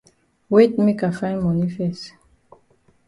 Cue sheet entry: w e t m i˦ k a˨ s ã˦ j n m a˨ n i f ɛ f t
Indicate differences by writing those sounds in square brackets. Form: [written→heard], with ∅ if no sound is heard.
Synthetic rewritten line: w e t m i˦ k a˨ [s→f] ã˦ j n m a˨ n i f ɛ [f→s] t